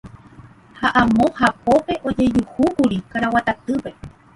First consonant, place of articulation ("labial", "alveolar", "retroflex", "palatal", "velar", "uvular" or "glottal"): glottal